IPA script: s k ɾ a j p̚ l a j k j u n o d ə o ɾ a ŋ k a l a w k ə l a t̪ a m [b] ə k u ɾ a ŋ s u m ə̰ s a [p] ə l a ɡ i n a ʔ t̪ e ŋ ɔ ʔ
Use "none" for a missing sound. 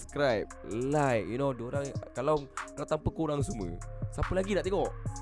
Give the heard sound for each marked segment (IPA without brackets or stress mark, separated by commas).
p, p